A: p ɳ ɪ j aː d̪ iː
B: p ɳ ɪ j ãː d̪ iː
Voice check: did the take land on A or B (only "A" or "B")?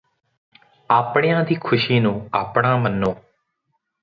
B